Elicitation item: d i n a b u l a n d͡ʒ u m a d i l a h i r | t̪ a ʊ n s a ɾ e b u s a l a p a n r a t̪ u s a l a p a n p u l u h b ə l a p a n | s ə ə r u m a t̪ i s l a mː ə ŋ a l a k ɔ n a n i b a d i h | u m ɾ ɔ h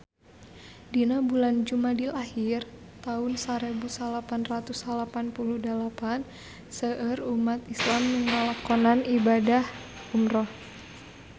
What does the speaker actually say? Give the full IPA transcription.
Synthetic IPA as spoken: d i n a b u l a n d͡ʒ u m a d i l a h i r | t̪ a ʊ n s a ɾ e b u s a l a p a n r a t̪ u s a l a p a n p u l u h d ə l a p a n | s ə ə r u m a t̪ i s l a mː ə ŋ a l a k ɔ n a n i b a d a h | u m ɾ ɔ h